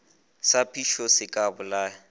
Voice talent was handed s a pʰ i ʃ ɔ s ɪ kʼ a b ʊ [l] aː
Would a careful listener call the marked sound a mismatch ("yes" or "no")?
no